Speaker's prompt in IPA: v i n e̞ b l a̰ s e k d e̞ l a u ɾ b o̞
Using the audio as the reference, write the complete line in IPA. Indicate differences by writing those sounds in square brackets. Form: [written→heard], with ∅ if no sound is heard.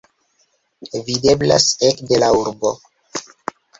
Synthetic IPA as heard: v i [n→d] e̞ b l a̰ s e k d e̞ l a u ɾ b o̞